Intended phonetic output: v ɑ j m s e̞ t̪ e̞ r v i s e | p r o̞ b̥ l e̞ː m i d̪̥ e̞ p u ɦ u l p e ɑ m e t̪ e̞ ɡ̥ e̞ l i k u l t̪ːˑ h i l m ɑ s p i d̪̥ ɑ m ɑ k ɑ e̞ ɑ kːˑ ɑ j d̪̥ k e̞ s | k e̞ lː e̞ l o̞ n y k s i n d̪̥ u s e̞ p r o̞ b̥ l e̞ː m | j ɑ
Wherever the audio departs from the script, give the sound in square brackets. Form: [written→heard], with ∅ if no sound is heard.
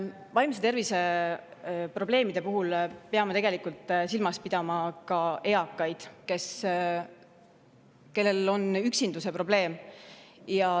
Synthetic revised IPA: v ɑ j m s e̞ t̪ e̞ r v i s e | p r o̞ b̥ l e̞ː m i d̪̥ e̞ p u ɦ u l p e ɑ m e t̪ e̞ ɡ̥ e̞ l i k u l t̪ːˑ [h→s] i l m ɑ s p i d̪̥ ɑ m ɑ k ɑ e̞ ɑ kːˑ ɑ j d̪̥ k e̞ s | k e̞ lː e̞ l o̞ n y k s i n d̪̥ u s e̞ p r o̞ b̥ l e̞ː m | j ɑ